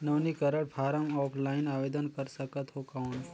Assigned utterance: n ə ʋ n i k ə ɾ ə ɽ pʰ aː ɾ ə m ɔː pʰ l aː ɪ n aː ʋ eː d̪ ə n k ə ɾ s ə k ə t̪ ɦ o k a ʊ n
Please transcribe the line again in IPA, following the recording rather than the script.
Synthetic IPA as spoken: n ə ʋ n i k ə ɾ ə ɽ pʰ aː ɾ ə m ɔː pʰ l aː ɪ n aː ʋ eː d̪ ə n k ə ɾ s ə k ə t̪ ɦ o k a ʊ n